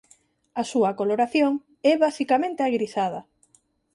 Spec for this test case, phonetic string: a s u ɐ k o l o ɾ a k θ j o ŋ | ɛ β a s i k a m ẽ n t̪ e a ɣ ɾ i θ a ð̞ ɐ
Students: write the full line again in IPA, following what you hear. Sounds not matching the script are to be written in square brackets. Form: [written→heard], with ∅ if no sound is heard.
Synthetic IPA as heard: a s u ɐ k o l o ɾ a [k→∅] θ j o ŋ | ɛ β a s i k a m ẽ n t̪ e a ɣ ɾ i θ a ð̞ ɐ